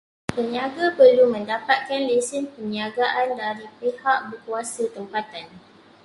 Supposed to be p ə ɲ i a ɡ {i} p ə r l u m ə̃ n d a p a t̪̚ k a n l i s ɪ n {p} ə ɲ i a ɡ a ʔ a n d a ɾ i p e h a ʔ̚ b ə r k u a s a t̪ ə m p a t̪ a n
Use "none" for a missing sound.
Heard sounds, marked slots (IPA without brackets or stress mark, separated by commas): a, p